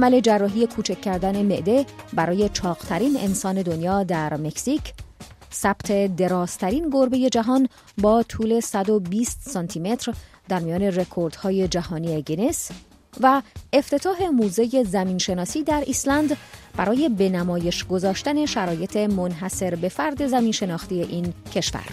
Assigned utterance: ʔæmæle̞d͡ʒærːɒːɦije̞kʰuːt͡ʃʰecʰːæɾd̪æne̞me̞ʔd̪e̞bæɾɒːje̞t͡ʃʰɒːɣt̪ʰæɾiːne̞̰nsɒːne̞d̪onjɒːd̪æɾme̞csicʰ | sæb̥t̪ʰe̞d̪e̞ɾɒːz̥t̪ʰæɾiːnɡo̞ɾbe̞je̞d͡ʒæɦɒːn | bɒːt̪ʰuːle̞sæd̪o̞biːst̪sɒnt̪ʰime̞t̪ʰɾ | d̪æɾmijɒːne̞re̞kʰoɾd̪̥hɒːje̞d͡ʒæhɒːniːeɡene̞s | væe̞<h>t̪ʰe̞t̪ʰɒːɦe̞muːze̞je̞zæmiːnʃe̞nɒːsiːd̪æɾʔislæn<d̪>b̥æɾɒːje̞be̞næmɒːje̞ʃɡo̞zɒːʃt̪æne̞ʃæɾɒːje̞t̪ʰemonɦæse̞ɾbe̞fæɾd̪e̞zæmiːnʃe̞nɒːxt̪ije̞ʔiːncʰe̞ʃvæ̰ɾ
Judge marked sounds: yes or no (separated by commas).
no, yes